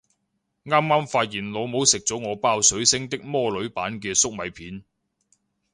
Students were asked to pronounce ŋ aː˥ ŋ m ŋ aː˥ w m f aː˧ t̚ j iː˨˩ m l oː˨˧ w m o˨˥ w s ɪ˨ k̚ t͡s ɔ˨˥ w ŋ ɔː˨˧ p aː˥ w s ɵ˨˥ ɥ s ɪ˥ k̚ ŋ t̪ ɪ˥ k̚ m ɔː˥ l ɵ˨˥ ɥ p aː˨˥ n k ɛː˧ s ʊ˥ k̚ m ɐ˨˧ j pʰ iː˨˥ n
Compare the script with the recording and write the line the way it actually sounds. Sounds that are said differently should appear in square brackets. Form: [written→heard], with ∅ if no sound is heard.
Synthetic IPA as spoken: ŋ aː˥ [ŋ→∅] m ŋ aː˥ [w→∅] m f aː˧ t̚ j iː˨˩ [m→n] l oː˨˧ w m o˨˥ w s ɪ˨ k̚ t͡s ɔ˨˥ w ŋ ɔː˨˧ p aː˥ w s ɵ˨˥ ɥ s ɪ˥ [k̚→∅] ŋ t̪ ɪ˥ k̚ m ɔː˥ l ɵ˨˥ ɥ p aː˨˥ n k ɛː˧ s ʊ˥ k̚ m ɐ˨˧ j pʰ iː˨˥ n